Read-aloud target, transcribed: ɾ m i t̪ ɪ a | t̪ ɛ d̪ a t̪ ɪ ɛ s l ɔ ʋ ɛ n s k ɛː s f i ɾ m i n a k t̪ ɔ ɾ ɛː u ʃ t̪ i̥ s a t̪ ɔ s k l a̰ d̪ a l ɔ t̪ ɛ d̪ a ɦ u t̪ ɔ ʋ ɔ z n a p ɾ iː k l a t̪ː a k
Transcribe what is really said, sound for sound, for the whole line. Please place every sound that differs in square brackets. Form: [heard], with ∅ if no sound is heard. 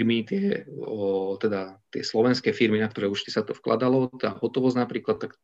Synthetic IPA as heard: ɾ m i t̪ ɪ [ɛ] | t̪ ɛ d̪ a t̪ ɪ ɛ s l ɔ ʋ ɛ n s k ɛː [∅] f i ɾ m i n a k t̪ ɔ ɾ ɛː u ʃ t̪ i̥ s a t̪ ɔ [f] k l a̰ d̪ a l ɔ t̪ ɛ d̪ a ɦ [ɔ] t̪ ɔ ʋ ɔ z n a p ɾ iː k l a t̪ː a k